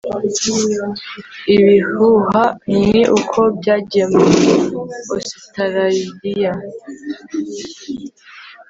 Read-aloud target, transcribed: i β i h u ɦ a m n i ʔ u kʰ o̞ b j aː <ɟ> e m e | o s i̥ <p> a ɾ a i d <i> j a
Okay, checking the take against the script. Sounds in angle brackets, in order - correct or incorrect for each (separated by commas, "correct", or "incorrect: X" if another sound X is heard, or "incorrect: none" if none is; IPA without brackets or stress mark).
correct, incorrect: t, correct